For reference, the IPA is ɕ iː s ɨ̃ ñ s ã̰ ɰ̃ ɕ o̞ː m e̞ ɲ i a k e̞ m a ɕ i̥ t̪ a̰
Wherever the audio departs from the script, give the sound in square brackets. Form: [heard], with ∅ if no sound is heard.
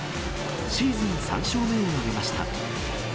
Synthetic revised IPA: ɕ iː [z] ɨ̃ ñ s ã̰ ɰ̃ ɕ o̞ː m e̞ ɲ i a [ɡ] e̞ m a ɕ i̥ t̪ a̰